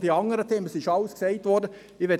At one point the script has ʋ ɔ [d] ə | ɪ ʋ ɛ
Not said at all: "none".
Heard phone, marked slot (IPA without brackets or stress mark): d